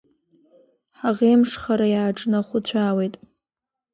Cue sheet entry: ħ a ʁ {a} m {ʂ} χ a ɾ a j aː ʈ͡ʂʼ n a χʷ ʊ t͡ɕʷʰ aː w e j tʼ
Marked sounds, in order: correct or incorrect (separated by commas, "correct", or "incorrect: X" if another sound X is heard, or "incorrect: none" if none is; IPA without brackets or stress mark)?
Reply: incorrect: e, correct